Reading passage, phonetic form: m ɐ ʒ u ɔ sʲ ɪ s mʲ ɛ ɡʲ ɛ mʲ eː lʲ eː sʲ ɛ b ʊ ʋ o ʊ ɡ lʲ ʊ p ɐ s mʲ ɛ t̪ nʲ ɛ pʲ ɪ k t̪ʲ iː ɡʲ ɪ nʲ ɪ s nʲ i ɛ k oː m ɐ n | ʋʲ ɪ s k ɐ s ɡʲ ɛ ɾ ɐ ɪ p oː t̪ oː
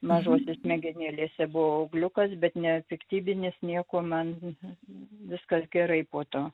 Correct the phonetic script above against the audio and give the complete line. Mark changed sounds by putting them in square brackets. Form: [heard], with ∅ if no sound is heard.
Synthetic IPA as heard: m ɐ ʒ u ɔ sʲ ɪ s mʲ ɛ ɡʲ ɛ [nʲ] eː lʲ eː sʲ ɛ b ʊ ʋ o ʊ ɡ lʲ ʊ [k] ɐ s [bʲ] ɛ t̪ nʲ ɛ pʲ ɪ k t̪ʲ iː [bʲ] ɪ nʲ ɪ s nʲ i ɛ k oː m ɐ n | ʋʲ ɪ s k ɐ s ɡʲ ɛ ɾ ɐ ɪ p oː t̪ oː